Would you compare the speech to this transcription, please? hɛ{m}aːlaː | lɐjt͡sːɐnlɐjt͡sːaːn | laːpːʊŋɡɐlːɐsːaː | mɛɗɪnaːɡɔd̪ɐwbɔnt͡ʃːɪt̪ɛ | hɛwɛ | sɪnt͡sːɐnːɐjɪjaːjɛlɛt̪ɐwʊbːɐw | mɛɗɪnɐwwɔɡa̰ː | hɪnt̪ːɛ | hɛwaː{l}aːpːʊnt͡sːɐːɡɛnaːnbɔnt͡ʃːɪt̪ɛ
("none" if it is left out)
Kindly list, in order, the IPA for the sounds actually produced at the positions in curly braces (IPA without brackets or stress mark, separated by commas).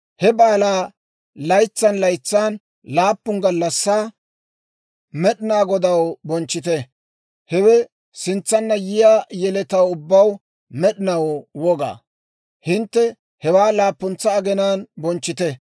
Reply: b, l